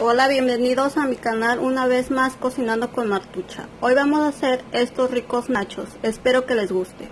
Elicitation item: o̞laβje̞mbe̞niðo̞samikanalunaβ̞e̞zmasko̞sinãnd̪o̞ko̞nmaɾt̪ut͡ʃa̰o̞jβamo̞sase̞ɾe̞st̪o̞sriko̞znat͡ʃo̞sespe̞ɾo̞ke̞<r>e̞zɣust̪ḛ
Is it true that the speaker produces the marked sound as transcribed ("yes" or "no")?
no